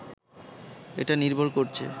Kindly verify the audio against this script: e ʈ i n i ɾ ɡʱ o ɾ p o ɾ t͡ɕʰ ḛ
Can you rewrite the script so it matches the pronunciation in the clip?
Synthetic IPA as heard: e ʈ a n i ɾ bʱ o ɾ k o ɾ t͡ɕʰ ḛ